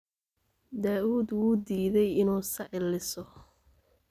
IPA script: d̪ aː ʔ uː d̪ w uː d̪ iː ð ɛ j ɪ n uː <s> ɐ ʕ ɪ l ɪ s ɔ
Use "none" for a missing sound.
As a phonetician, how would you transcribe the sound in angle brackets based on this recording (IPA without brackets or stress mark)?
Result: s